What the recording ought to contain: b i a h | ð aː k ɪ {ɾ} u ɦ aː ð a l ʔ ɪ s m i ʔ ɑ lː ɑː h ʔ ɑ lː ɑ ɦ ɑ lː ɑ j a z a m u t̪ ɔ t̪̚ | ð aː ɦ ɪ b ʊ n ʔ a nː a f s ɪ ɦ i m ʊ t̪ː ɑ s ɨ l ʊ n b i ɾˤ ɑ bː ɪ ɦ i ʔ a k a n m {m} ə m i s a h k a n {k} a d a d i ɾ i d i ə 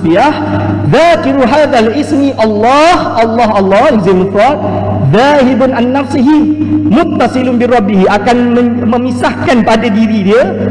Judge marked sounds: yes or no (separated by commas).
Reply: yes, yes, no